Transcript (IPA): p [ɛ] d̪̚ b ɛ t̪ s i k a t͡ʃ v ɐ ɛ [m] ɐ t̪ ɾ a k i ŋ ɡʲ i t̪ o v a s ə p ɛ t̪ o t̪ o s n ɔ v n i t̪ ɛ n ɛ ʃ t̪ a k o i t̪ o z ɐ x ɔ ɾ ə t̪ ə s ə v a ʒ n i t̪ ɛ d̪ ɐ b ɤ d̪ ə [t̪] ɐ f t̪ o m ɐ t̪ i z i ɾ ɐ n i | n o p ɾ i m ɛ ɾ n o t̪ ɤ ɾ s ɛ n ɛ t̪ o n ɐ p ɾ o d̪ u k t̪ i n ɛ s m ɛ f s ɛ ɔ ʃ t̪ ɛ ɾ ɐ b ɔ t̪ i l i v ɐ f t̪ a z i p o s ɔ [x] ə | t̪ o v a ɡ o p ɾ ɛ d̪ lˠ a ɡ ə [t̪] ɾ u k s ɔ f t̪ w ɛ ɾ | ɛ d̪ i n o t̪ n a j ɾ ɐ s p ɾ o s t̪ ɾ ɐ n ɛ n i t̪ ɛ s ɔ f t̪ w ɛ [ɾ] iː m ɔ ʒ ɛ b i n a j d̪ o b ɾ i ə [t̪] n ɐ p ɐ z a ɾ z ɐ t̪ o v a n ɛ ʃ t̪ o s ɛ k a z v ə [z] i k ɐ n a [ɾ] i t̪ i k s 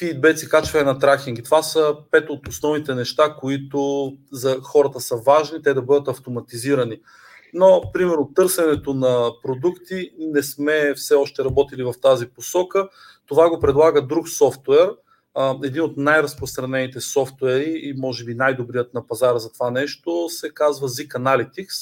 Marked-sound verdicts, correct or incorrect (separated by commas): incorrect, incorrect, correct, incorrect, incorrect, correct, correct, correct, incorrect